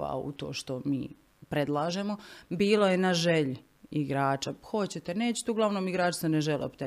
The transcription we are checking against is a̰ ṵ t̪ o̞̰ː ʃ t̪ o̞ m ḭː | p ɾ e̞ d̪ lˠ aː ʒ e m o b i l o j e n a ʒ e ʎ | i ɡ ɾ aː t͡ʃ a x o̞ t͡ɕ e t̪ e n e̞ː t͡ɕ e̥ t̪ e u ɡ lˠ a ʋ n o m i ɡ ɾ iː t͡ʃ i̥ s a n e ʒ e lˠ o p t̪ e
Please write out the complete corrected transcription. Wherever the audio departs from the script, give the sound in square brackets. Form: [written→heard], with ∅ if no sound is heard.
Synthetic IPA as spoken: a̰ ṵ t̪ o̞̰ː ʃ t̪ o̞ m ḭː | p ɾ e̞ d̪ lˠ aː ʒ e m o b [i→iː] l o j e n a ʒ e ʎ | i ɡ ɾ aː t͡ʃ a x o̞ t͡ɕ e t̪ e n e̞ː t͡ɕ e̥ t̪ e u ɡ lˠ a ʋ n o m i ɡ ɾ [iː→aː] t͡ʃ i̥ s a n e ʒ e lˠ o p t̪ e